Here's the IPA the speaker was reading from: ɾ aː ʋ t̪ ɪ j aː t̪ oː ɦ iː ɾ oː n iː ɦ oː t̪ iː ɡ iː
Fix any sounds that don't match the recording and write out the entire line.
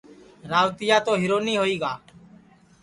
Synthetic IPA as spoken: ɾ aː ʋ t̪ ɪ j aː t̪ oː ɦ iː ɾ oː n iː ɦ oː iː ɡ aː

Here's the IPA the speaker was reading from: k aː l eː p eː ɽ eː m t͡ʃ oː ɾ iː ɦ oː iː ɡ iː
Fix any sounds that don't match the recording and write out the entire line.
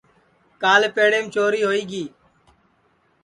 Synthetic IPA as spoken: k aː l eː p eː ɽ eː m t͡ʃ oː ɾ iː ɦ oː iː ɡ iː

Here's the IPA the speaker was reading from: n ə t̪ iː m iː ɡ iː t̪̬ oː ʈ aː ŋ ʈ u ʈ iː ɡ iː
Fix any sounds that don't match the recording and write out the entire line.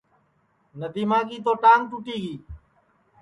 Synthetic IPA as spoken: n ə d̪ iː m aː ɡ iː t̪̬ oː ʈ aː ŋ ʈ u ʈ iː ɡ iː

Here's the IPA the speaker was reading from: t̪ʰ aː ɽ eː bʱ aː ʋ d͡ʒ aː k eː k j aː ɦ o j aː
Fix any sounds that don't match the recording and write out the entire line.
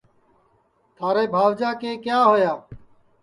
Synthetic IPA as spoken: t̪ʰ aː ɾ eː bʱ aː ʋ d͡ʒ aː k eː k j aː ɦ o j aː

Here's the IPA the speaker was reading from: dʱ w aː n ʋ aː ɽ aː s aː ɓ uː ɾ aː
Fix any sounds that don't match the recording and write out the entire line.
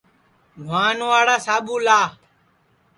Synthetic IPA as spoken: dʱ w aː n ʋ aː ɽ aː s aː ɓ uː l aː

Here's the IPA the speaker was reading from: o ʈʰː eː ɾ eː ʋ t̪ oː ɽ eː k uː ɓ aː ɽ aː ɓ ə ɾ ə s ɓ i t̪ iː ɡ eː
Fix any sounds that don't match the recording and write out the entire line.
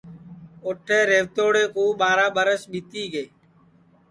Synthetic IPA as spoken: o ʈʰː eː ɾ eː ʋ t̪ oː ɽ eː k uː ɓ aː ɾ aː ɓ ə ɾ ə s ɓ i t̪ iː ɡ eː

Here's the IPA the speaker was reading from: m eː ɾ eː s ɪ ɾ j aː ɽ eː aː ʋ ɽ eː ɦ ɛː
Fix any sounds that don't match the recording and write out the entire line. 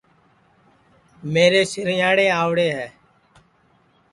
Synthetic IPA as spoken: m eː ɾ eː s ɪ ɾ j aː ɽ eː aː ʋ ɽ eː ɦ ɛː

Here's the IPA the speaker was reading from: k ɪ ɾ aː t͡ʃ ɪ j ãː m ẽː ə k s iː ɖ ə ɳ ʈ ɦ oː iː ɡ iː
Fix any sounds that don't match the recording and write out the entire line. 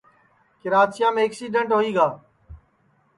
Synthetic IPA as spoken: k ɪ ɾ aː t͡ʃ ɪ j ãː m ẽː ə k s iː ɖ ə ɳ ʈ ɦ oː iː ɡ aː

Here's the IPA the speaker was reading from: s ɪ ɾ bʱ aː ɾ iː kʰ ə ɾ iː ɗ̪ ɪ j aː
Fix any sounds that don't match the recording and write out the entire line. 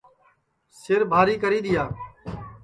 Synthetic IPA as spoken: s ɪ ɾ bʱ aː ɾ iː k ə ɾ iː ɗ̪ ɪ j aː

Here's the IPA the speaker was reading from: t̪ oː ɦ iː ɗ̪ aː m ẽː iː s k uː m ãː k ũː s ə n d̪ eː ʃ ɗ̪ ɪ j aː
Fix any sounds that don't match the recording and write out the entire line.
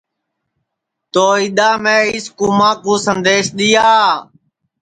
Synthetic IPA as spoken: t̪ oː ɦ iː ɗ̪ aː m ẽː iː s k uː m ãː k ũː s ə n d̪ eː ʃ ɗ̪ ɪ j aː

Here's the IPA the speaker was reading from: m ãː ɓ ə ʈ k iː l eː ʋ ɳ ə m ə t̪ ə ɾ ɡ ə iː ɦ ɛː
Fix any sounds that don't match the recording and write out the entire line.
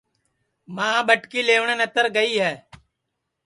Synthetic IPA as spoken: m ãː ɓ ə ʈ k iː l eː ʋ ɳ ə n ə t̪ ə ɾ ɡ ə iː ɦ ɛː

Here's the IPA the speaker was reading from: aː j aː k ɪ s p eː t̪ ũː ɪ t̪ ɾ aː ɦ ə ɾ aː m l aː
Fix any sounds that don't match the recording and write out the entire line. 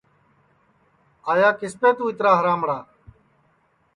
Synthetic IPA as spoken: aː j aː k ɪ s p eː t̪ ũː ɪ t̪ ɾ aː ɦ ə ɾ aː m ɽ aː

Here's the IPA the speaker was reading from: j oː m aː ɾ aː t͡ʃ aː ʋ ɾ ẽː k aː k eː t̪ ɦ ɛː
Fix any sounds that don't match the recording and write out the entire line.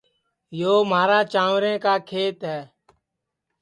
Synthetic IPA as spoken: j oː m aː ɾ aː t͡ʃ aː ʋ ɾ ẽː k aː kʰ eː t̪ ɦ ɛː

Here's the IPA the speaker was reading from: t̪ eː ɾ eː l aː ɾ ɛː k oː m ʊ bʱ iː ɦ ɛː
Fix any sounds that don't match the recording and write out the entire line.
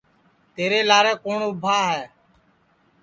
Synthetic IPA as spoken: t̪ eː ɾ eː l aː ɾ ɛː k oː ɳ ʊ bʱ aː ɦ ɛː

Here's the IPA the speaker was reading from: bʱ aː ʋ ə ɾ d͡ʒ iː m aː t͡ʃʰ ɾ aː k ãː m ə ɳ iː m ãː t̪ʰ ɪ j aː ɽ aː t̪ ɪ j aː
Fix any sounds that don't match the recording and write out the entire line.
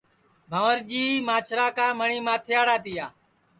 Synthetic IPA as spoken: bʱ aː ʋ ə ɾ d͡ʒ iː m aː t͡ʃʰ ɾ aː k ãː m ə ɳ iː m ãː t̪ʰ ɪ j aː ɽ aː t̪ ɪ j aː

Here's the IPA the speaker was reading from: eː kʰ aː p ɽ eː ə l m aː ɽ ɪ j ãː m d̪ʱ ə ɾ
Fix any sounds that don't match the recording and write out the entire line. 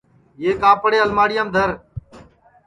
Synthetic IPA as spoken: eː k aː p ɽ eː ə l m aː ɽ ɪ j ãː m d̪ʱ ə ɾ

